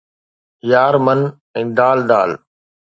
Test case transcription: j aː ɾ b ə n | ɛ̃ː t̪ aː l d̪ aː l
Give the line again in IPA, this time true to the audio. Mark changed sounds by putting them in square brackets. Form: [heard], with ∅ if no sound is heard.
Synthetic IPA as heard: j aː ɾ [m] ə n | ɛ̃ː [d̪] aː l d̪ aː l